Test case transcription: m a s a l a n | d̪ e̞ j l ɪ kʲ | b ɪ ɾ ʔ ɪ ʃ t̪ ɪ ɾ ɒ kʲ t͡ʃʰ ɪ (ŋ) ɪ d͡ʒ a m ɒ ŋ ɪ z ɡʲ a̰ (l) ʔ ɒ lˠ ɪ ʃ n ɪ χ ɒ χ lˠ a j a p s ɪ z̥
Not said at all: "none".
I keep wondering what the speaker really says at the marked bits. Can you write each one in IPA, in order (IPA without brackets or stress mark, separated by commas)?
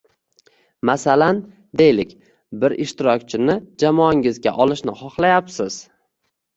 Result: n, none